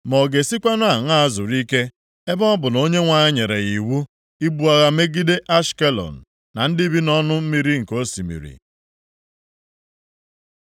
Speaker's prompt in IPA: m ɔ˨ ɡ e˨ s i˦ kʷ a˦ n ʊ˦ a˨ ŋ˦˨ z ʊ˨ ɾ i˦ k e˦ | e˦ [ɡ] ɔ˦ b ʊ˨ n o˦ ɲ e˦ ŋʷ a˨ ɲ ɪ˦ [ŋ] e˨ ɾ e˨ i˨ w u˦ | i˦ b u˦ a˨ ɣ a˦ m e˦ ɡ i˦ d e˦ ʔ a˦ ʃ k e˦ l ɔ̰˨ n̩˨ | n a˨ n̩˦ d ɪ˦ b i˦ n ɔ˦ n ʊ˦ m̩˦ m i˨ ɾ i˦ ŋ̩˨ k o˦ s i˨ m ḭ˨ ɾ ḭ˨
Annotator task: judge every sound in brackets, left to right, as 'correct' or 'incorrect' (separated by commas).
incorrect, incorrect